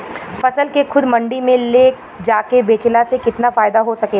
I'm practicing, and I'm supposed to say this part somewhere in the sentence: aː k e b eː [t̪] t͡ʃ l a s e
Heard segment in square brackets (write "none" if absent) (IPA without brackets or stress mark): none